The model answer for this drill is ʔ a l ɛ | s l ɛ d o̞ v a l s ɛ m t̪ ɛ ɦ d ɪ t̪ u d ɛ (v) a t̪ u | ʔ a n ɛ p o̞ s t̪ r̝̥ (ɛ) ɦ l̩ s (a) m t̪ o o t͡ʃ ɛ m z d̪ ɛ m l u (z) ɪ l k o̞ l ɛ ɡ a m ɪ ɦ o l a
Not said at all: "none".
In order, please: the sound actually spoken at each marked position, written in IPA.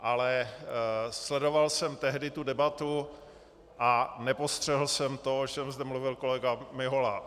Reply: b, ɛ, ɛ, v

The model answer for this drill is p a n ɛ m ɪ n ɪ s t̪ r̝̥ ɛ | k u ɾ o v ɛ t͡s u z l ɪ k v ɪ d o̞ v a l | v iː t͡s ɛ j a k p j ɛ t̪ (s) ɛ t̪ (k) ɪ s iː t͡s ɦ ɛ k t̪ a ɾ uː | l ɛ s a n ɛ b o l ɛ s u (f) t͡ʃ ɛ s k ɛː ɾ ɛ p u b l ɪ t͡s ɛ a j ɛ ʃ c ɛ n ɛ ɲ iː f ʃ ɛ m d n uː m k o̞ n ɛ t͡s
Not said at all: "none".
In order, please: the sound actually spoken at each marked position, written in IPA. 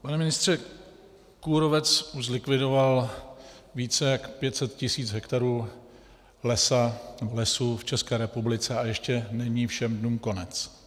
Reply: s, c, f

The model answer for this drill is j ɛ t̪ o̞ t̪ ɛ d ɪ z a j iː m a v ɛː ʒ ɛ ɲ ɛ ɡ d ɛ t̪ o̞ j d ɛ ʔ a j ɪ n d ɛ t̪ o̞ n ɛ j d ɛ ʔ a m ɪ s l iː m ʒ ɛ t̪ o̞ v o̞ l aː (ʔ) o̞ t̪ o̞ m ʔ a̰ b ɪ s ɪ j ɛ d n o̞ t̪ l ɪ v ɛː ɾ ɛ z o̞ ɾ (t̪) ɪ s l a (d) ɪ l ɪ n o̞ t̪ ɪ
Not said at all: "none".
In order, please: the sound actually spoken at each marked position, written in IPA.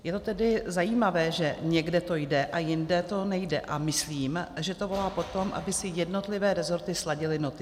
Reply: p, t̪, ɟ

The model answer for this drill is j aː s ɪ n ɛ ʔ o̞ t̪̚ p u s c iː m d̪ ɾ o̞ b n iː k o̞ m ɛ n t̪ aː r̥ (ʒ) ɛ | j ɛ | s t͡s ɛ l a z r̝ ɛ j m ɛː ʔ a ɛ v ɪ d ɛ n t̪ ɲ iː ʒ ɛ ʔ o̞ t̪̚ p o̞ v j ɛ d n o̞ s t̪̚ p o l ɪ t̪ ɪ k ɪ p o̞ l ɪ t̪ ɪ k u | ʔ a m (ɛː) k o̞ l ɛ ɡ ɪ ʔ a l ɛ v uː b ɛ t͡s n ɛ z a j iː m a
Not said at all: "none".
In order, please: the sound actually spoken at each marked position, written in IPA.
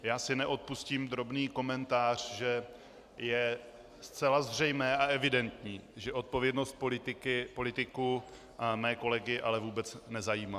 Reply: ʒ, ɛː

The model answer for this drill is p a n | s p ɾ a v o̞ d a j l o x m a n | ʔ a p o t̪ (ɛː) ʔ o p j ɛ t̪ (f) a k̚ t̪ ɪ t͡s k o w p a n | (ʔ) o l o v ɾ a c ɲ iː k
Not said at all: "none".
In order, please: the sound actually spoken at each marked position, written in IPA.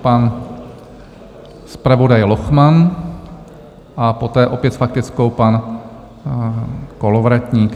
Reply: ɛː, f, k

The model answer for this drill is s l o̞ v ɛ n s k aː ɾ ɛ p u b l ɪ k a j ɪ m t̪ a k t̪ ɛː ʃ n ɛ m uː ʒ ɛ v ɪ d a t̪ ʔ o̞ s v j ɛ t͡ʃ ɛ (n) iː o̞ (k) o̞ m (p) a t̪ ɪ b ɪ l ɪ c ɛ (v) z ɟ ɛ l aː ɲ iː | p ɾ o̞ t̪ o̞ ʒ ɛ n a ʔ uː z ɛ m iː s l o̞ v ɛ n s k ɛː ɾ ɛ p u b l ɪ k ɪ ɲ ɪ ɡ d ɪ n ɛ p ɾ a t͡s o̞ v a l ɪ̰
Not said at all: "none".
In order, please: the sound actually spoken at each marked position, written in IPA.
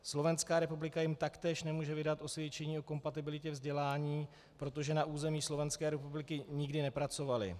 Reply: ɲ, k, p, v

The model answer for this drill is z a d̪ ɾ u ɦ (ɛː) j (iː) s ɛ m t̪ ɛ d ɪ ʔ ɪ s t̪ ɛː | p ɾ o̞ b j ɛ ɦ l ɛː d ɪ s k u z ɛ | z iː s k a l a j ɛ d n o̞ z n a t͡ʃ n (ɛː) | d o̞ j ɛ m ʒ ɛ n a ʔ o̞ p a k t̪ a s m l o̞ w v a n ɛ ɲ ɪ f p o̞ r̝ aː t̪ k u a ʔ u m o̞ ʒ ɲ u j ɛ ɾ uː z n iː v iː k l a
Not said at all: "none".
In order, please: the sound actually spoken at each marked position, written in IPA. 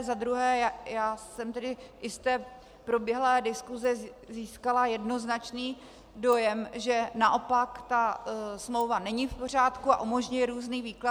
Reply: ɛː, aː, iː

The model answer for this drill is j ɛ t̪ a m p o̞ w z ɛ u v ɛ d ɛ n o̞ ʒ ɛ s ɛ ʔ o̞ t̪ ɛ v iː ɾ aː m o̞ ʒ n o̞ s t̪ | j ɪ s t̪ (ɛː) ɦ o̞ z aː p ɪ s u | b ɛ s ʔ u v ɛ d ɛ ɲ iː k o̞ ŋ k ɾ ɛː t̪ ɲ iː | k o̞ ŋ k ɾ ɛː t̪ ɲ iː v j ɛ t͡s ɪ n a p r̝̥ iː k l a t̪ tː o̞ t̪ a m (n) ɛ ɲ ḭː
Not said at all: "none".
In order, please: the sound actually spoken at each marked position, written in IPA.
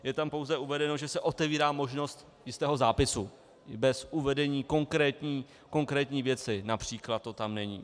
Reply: ɛː, n

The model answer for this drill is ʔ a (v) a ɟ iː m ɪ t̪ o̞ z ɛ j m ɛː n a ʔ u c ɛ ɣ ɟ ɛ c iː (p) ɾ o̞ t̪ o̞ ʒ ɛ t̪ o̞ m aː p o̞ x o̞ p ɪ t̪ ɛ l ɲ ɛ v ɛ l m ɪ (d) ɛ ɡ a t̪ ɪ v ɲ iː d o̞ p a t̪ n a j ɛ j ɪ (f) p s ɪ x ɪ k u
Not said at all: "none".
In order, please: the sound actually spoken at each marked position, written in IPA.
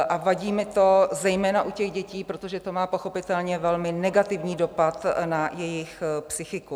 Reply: v, p, n, x

